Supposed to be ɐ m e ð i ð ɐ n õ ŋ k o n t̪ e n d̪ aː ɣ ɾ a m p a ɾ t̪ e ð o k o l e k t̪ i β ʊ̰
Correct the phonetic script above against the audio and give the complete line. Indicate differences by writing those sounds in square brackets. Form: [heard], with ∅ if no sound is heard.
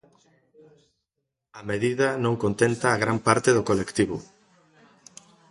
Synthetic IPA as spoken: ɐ m e ð i ð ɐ n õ ŋ k o n t̪ e n [t̪] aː ɣ ɾ a m p a ɾ t̪ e ð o k o l e k t̪ i β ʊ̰

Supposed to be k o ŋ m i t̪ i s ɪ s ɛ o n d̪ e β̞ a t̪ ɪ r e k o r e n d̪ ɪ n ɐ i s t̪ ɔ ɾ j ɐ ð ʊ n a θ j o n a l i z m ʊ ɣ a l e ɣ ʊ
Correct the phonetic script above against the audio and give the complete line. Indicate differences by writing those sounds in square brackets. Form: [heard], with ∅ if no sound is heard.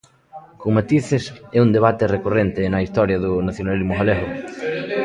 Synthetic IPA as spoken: k o ŋ m [a] t̪ i [θ] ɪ s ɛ [u] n d̪ e β̞ a t̪ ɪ r e k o r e n [t̪] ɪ n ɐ i s t̪ ɔ ɾ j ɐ ð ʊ n a θ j o n a l i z m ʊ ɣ a l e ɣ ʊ

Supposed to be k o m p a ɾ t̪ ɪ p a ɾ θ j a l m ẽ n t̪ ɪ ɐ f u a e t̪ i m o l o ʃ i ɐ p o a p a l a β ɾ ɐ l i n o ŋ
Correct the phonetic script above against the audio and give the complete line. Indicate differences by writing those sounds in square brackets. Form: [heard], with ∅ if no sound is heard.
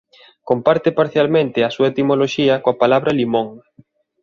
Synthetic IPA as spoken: k o m p a ɾ t̪ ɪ p a ɾ θ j a l m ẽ n t̪ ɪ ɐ [s] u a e t̪ i m o l o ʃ i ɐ [k] o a p a l a β ɾ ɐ l i [m] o ŋ

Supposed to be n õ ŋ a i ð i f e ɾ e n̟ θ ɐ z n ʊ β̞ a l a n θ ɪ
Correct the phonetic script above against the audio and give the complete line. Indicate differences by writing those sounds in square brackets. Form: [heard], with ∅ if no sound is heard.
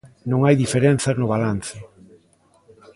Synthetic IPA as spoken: n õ ŋ a [j] ð i f e ɾ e n̟ θ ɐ z n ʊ β̞ a l a n θ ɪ

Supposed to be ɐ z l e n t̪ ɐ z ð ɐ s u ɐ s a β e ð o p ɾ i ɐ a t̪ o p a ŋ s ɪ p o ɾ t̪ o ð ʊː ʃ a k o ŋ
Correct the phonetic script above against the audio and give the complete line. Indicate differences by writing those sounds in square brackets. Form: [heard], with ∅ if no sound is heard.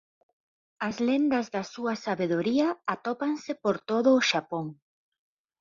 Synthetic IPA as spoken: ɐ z l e n [d̪] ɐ z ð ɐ s u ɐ s a β e ð o [∅] ɾ i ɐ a t̪ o p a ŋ s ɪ p o ɾ t̪ o ð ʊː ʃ a [p] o ŋ

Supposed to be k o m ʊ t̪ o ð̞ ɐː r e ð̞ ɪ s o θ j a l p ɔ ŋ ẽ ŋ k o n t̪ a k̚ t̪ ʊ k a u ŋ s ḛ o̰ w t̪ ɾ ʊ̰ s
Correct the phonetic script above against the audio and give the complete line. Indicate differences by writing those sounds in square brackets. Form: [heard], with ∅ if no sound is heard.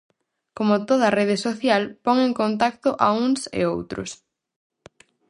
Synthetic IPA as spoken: k o m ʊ t̪ o ð̞ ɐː r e ð̞ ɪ s o θ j a l p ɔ ŋ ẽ ŋ k o n t̪ a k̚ t̪ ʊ [ʔ] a u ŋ s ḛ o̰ w t̪ ɾ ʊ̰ s

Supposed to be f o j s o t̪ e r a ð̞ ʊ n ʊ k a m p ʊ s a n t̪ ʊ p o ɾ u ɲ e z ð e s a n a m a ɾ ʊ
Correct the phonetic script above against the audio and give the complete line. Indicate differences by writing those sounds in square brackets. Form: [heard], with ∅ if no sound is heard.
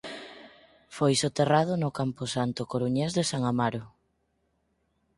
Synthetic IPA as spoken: f o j s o t̪ e r a ð̞ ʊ n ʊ k a m p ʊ s a n t̪ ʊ [k] o ɾ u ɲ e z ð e s a [ŋ] a m a ɾ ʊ

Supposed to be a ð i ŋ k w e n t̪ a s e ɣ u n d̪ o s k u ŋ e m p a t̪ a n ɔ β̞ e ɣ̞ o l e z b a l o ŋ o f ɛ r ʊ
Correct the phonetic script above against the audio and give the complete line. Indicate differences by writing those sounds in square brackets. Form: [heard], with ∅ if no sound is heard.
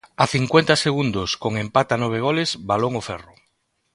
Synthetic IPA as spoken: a [θ] i ŋ k w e n t̪ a s e ɣ u n d̪ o s k [o] ŋ e m p a t̪ a n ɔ β̞ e ɣ̞ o l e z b a l o ŋ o f ɛ r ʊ

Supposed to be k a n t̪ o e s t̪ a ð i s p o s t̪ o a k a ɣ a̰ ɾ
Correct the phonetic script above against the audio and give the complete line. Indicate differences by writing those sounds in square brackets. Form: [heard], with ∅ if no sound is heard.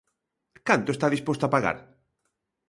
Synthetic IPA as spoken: k a n t̪ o e s t̪ a ð i s p o s t̪ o a [p] a ɣ a̰ ɾ

